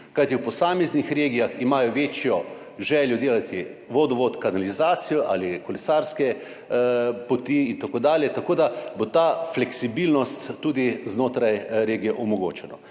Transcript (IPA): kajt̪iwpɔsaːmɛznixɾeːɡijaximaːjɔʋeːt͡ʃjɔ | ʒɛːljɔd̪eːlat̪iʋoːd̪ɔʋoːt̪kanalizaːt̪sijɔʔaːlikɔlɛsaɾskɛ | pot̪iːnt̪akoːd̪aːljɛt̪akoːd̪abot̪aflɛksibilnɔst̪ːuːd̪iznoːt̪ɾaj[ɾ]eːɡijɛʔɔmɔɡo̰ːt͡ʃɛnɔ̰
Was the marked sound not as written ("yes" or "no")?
no